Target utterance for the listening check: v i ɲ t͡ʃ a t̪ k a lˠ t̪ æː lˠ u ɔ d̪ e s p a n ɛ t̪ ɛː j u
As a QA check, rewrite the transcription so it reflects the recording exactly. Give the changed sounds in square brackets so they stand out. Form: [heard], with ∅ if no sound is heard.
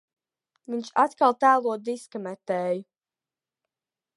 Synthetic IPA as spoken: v i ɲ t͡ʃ a t̪ k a lˠ t̪ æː lˠ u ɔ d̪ [i] s [k] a [m] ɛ t̪ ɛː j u